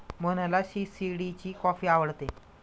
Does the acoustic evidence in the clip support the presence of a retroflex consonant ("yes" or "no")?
yes